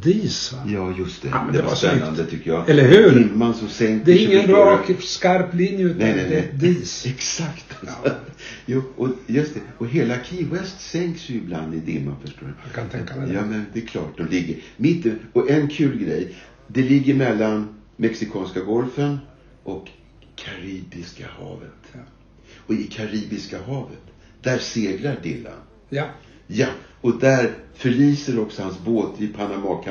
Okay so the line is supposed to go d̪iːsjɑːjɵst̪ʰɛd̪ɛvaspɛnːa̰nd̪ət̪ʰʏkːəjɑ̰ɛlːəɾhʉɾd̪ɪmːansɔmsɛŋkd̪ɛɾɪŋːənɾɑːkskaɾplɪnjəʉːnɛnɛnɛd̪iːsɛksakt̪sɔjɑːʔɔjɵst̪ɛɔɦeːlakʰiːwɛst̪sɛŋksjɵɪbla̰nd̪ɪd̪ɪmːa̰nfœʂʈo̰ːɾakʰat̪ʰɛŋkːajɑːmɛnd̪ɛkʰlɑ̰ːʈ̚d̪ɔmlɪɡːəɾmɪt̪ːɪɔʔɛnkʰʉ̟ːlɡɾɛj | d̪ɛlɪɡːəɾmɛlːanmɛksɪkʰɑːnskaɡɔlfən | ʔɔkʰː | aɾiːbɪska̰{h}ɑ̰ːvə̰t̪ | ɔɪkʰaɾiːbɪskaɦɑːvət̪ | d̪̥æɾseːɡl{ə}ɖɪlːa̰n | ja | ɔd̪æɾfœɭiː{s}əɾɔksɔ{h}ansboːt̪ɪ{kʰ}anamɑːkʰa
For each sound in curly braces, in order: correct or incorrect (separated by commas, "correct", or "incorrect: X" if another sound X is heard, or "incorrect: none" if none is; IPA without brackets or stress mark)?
correct, incorrect: a, correct, correct, incorrect: pʰ